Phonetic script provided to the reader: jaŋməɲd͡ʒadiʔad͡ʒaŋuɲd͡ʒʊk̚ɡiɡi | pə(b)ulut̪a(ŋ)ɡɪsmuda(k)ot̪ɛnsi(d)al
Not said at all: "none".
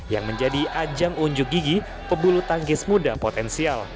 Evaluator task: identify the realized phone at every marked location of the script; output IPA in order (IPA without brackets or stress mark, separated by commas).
b, ŋ, p, none